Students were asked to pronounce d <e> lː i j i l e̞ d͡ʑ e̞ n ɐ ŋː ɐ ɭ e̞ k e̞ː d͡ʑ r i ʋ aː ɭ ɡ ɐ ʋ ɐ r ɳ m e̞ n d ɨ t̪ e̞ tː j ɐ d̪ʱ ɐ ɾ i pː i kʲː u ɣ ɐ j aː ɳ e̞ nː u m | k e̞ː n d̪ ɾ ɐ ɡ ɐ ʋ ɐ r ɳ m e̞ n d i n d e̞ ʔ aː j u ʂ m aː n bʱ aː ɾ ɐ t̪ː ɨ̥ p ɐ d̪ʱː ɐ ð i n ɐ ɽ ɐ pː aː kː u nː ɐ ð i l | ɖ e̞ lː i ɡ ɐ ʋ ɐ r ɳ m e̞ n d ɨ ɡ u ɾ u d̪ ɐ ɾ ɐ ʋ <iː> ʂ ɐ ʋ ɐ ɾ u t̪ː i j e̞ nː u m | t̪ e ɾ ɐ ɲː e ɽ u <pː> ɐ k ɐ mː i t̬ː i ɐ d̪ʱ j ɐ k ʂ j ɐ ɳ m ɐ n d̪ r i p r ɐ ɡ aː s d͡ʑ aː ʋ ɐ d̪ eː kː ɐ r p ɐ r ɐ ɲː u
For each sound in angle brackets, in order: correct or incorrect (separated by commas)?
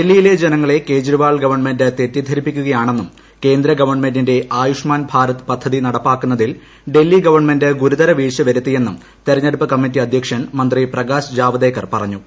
correct, correct, correct